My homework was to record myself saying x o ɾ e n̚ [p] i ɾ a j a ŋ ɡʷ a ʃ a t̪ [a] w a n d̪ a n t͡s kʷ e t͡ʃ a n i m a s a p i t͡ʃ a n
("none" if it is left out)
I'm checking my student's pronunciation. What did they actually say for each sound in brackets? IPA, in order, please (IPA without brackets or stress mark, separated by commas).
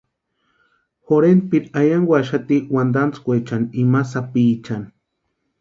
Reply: p, i